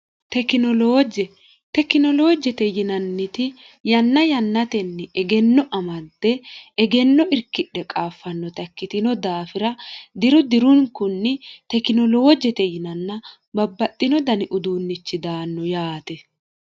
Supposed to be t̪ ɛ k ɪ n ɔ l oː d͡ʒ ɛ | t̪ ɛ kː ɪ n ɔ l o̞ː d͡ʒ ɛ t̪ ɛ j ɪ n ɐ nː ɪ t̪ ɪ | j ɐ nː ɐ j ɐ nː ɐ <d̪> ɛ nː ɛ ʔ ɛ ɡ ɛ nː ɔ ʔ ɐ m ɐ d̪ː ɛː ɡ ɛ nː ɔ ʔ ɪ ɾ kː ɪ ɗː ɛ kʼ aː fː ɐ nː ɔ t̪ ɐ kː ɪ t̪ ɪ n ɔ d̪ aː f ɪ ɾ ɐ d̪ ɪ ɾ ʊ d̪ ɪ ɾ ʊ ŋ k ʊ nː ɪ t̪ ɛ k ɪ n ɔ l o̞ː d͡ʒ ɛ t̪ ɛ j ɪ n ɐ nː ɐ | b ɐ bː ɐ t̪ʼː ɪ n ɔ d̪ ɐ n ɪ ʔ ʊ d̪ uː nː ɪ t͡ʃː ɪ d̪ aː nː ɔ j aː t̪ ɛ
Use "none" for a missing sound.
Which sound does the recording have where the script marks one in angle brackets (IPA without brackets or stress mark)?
t̪